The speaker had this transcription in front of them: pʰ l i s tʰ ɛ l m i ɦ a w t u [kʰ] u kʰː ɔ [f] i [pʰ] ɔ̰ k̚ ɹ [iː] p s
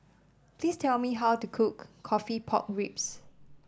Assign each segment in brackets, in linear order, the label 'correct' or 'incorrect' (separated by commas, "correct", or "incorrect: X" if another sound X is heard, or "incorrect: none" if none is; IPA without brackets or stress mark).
correct, correct, correct, incorrect: i